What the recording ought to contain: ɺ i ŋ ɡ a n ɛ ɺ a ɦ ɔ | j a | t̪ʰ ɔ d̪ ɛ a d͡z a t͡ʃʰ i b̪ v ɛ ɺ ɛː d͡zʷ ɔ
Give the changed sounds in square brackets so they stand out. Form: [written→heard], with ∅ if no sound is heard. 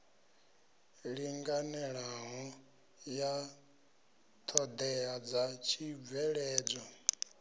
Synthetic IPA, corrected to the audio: ɺ i ŋ ɡ a n ɛ ɺ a ɦ ɔ | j a | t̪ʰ ɔ d̪ ɛ a d͡z a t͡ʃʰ i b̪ v ɛ ɺ ɛː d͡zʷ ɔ